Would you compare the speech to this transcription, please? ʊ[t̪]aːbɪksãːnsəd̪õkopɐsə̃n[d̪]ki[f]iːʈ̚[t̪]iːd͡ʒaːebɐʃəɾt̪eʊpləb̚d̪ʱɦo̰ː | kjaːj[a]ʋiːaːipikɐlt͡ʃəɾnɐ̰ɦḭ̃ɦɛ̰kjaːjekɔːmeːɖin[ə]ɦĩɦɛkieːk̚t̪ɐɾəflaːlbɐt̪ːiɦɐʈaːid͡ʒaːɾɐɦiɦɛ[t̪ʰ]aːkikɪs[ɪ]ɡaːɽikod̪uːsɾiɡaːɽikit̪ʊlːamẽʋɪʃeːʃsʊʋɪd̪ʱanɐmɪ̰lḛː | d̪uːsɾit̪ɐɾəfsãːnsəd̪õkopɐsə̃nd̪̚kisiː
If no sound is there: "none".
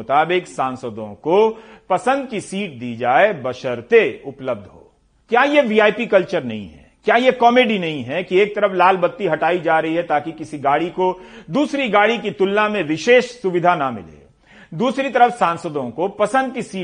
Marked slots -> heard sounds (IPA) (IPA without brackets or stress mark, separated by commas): t̪, d̪, s, d̪, e, ɐ, t̪, i